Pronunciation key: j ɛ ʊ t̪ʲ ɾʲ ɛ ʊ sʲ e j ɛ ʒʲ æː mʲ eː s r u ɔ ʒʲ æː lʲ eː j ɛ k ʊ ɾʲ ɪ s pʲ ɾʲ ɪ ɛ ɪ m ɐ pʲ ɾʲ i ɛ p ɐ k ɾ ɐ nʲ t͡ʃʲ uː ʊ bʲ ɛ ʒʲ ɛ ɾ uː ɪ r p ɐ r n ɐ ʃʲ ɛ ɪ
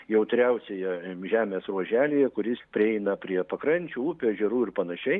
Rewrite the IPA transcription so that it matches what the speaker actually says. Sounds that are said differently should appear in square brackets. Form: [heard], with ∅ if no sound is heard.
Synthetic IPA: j ɛ ʊ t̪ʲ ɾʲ ɛ ʊ sʲ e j ɛ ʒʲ æː mʲ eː s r u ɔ ʒʲ æː lʲ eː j ɛ k ʊ ɾʲ ɪ s pʲ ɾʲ ɪ ɛ ɪ [n] ɐ pʲ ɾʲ i ɛ p ɐ k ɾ ɐ nʲ t͡ʃʲ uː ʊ [pʲ] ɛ ʒʲ ɛ ɾ uː ɪ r p ɐ [∅] n ɐ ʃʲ ɛ ɪ